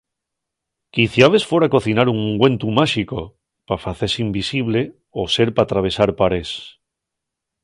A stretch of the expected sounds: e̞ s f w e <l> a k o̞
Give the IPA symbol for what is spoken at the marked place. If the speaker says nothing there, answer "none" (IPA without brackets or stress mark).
ɾ